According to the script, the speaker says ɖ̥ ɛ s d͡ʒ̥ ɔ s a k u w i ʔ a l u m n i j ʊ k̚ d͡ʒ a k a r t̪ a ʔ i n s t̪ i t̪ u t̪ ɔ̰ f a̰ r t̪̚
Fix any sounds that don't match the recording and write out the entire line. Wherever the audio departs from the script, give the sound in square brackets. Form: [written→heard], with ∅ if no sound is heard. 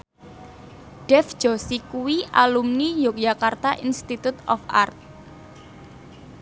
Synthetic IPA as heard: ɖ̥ ɛ [s→f] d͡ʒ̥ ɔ s [a→i] k u w i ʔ a l u m n i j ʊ k̚ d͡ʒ a k a r t̪ a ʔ i n s t̪ i t̪ u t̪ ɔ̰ f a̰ r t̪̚